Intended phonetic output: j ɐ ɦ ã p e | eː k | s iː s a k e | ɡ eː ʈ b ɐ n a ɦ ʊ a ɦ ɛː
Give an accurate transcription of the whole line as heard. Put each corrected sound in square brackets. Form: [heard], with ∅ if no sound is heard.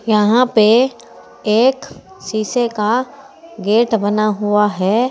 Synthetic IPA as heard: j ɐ ɦ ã p e | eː k | s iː s [e] k [a] | ɡ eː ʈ b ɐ n a ɦ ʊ a ɦ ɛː